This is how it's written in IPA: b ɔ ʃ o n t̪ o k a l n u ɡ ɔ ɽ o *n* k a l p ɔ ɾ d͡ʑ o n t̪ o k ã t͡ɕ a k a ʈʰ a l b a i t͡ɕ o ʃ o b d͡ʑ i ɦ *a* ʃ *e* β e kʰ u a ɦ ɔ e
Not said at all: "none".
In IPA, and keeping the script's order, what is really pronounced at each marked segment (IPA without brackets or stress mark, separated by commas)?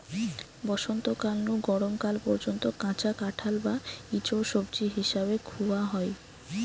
m, i, a